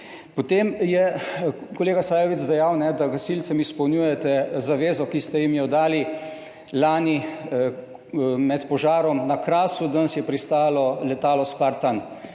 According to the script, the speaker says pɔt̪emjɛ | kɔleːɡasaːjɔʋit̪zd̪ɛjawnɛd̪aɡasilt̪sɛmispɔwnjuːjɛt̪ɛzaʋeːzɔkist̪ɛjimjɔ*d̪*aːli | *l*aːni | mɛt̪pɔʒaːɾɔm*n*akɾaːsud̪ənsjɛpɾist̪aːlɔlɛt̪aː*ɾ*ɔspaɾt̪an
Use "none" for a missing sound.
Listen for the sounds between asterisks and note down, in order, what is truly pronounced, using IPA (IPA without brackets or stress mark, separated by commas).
d̪, l, n, l